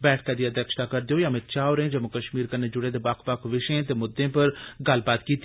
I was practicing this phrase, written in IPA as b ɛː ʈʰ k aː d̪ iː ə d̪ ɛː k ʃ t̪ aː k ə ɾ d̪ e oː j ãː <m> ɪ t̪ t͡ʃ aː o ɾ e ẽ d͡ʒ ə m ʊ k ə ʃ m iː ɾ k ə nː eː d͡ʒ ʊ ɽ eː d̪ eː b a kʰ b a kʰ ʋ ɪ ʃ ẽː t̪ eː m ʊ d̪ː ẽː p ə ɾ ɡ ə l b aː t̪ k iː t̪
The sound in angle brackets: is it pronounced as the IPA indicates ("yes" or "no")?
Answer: yes